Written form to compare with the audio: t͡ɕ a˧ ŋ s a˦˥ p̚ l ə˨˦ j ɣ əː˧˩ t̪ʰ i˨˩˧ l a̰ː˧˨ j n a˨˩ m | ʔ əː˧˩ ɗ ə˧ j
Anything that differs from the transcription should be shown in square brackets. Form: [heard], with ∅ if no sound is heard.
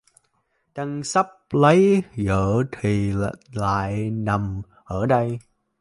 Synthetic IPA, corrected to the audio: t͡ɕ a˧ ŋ s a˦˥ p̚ l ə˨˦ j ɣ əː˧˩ t̪ʰ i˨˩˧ l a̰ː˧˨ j n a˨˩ m | ʔ əː˧˩ ɗ ə˧ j